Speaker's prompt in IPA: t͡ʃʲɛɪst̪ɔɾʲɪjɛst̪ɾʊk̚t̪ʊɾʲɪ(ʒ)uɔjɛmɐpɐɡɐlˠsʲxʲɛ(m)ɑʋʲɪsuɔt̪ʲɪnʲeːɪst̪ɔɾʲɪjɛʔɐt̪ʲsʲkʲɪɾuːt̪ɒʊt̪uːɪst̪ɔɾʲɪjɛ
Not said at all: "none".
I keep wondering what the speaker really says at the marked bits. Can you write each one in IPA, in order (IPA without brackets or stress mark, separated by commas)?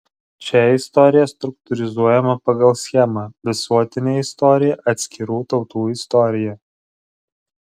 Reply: z, m